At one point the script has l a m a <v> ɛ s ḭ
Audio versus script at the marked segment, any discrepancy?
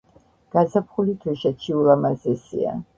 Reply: yes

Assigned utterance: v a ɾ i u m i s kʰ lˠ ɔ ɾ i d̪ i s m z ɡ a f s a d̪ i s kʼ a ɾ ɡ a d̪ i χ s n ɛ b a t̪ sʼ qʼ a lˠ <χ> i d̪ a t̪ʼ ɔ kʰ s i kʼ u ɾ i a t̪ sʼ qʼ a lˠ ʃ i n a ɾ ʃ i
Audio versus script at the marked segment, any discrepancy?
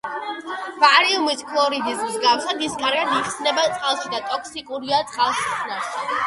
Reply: yes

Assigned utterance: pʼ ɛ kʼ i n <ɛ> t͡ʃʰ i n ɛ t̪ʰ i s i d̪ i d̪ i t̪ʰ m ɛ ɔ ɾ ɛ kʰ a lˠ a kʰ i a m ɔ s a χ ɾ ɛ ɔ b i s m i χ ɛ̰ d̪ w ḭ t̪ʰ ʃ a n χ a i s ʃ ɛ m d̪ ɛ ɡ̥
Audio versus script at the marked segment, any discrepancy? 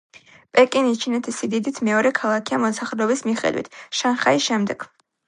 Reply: yes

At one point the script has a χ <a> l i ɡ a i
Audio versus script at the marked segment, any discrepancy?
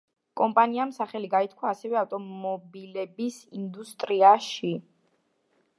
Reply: yes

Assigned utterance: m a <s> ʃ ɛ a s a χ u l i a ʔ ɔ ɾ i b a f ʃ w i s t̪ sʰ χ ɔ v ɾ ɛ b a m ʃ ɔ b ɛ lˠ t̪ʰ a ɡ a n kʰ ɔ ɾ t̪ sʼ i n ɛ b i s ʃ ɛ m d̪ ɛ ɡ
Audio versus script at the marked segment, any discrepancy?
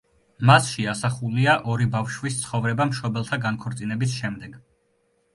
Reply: no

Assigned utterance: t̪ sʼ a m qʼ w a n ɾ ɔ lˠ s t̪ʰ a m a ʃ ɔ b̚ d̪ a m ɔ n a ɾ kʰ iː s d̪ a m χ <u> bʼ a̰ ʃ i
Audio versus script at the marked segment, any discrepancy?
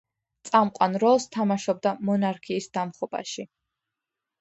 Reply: yes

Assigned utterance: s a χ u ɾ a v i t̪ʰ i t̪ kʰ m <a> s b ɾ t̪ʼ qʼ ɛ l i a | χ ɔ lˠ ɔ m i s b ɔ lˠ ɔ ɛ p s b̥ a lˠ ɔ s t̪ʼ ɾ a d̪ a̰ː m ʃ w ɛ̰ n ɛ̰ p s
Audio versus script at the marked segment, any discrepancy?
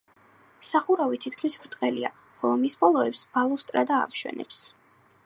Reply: yes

